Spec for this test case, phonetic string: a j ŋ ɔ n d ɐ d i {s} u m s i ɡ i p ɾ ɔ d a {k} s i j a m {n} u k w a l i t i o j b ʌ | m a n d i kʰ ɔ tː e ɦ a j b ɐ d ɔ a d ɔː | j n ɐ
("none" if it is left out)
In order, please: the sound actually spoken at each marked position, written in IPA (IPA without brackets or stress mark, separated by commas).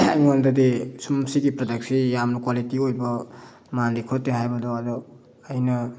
s, k, n